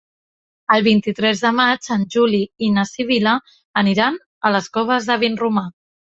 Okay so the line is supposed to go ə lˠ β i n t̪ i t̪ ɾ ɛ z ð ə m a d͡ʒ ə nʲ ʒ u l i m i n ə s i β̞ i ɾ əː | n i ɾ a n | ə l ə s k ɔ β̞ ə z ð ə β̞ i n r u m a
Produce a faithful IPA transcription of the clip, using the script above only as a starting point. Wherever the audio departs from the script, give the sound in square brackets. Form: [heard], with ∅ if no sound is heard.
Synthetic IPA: ə lˠ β i n t̪ i t̪ ɾ ɛ z ð ə m a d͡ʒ ə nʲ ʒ u l i [∅] i n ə s i β̞ i [l] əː | n i ɾ a n | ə l ə s k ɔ β̞ ə z ð ə β̞ i n r u m a